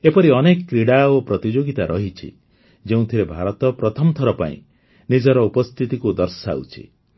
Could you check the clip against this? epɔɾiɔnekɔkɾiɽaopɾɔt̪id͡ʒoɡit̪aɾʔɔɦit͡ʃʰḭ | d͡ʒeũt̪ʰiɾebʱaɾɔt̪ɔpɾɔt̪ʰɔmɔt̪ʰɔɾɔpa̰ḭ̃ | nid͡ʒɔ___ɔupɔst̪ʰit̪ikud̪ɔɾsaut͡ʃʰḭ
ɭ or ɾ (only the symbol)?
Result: ɾ